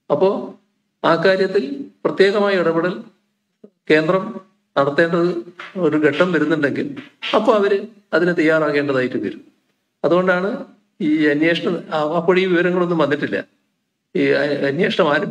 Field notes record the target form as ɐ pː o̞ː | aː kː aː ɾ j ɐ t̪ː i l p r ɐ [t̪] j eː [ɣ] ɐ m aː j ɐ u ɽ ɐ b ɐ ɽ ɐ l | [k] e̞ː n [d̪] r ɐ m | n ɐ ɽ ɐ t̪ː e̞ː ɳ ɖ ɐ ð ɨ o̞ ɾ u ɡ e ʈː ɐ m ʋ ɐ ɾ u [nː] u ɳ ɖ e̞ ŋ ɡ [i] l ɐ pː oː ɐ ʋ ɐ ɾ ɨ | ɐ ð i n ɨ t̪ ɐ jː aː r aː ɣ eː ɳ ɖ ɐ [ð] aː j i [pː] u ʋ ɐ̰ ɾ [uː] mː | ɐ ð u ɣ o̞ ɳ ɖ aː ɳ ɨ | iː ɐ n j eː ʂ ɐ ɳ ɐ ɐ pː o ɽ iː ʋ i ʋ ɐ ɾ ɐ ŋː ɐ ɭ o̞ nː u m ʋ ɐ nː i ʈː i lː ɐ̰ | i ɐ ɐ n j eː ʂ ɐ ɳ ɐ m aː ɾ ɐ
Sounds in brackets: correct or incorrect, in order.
correct, correct, correct, correct, correct, correct, correct, incorrect: ʈː, incorrect: u

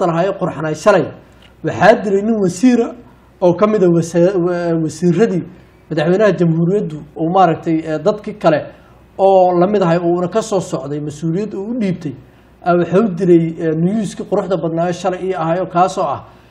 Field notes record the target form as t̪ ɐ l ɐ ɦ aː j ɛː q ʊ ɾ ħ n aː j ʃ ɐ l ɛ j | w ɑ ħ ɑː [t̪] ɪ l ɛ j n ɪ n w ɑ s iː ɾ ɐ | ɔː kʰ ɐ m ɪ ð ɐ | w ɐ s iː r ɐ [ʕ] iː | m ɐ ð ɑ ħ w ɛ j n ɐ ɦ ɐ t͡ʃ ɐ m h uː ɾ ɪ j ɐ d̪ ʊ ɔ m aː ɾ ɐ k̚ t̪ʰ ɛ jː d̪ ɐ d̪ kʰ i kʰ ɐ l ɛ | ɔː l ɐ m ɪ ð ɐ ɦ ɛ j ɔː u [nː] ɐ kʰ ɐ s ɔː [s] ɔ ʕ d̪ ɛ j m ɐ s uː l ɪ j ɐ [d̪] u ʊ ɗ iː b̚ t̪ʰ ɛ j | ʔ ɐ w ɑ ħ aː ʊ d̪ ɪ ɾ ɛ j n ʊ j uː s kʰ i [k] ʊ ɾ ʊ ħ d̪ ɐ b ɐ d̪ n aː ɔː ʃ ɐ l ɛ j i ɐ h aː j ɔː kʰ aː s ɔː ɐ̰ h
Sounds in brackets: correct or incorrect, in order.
incorrect: d̪, incorrect: ð, incorrect: n, correct, correct, incorrect: q

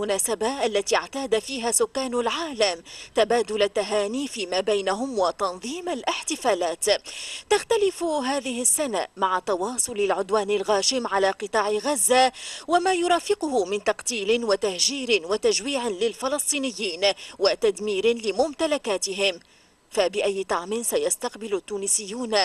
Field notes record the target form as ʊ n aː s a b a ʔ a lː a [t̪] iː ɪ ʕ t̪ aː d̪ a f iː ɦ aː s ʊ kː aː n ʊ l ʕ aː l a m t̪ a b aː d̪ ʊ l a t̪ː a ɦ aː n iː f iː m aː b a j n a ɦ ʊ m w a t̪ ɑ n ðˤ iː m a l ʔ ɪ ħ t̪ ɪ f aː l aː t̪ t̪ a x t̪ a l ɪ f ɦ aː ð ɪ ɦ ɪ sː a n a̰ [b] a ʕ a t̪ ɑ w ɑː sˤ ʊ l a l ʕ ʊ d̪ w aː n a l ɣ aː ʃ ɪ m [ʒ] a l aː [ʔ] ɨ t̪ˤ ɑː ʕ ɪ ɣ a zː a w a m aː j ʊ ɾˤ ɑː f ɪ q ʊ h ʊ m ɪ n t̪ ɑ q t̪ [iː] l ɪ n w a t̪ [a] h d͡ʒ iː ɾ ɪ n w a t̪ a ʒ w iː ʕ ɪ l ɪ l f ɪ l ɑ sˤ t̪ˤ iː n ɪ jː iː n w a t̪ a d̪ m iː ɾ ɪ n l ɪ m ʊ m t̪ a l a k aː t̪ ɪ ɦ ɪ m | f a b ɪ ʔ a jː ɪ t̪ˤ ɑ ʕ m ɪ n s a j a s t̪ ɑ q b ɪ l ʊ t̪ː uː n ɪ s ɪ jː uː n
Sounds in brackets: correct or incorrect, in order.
correct, incorrect: m, incorrect: ʕ, incorrect: q, correct, correct

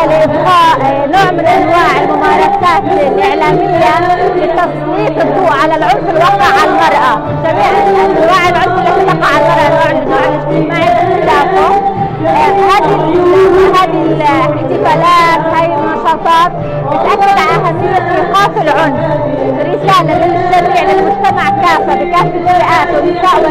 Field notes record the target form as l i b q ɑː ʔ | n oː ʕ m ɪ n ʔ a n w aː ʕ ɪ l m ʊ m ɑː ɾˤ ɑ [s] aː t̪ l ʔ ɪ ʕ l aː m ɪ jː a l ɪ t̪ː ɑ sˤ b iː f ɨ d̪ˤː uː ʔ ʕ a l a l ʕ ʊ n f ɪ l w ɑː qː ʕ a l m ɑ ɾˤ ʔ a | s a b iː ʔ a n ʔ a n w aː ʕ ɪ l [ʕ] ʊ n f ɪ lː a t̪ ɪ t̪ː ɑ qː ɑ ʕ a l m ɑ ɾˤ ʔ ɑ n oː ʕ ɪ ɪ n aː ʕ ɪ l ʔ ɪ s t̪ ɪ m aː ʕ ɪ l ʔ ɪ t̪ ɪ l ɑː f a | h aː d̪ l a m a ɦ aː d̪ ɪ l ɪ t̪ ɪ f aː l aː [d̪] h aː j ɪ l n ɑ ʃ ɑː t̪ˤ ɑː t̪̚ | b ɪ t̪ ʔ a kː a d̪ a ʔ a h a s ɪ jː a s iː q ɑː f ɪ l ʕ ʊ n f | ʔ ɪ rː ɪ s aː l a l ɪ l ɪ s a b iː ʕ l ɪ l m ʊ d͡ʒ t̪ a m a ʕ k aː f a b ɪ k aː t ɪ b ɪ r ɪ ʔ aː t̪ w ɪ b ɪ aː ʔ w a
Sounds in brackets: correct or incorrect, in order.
correct, correct, incorrect: t̪

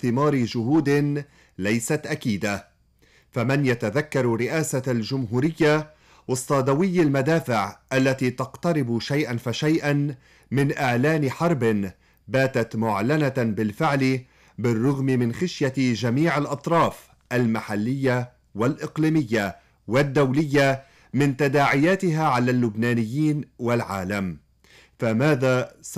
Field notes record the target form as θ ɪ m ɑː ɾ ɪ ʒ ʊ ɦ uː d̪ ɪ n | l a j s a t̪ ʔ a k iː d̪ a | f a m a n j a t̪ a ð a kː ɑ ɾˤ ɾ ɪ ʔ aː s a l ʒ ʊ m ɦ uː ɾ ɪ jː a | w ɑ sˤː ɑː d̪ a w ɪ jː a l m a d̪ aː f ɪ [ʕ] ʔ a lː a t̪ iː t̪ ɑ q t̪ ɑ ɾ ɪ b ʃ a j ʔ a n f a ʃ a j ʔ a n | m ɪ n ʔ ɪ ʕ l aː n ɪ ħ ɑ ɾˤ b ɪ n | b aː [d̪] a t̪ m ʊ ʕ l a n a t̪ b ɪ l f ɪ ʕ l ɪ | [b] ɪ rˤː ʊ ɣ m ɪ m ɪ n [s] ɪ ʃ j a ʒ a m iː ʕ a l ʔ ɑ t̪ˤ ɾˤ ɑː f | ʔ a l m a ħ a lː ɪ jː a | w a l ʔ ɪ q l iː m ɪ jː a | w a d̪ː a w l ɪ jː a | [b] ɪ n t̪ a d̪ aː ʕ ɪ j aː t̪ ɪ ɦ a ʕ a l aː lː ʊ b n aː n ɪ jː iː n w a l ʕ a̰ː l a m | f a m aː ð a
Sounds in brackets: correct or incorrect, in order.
correct, incorrect: t̪, correct, incorrect: x, incorrect: m

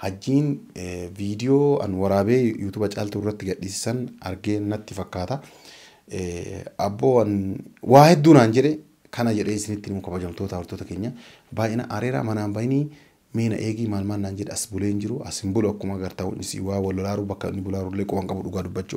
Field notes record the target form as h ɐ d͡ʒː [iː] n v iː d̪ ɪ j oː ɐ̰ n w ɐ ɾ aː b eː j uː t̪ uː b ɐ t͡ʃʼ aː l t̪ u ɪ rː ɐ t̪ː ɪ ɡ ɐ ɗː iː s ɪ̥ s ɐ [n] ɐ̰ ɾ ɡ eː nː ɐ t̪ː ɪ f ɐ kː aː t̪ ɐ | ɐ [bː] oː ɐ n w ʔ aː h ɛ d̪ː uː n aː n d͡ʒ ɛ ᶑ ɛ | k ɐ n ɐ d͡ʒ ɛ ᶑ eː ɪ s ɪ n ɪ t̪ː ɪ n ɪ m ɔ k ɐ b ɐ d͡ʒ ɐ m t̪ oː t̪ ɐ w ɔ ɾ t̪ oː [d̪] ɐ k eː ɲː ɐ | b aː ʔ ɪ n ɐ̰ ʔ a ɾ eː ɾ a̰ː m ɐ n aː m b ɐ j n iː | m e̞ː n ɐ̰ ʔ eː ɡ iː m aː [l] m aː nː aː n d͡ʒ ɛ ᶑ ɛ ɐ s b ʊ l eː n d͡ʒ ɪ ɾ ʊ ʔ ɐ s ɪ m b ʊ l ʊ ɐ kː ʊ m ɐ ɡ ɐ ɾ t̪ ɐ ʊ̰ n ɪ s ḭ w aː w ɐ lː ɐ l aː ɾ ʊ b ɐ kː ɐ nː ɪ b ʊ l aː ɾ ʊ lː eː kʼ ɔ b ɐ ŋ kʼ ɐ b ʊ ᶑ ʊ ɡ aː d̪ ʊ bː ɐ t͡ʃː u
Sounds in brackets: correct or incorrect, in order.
correct, correct, correct, incorrect: t̪, correct

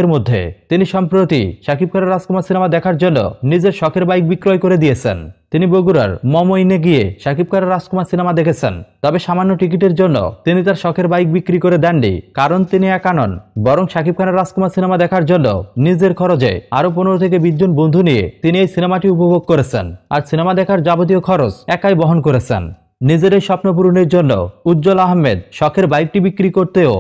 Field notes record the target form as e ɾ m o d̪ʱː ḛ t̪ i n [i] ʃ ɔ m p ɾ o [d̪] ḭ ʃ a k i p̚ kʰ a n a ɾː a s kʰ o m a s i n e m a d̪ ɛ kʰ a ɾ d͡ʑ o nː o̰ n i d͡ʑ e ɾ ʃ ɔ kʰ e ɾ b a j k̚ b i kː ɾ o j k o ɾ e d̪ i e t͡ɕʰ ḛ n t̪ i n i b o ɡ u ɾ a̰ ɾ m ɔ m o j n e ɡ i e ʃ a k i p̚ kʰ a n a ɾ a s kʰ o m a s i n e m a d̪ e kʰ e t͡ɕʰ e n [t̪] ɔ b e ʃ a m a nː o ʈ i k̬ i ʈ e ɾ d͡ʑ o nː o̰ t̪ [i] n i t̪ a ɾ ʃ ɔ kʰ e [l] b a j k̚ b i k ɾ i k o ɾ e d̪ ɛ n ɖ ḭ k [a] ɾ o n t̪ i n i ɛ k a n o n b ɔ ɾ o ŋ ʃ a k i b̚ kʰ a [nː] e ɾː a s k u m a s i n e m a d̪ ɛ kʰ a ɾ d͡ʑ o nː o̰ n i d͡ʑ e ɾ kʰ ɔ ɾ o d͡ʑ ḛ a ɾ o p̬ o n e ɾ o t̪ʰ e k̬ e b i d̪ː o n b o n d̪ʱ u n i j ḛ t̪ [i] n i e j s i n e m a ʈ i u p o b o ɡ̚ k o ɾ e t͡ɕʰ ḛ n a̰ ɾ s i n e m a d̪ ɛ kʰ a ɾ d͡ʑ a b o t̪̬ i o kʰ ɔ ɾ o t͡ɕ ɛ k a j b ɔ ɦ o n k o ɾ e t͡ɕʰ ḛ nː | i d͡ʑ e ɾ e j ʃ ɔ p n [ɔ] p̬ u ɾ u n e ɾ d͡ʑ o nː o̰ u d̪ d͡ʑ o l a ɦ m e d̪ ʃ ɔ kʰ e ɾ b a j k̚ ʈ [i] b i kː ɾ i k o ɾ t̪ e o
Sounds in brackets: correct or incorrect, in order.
correct, incorrect: t̪, correct, correct, incorrect: ɾ, correct, incorrect: n, correct, incorrect: o, correct

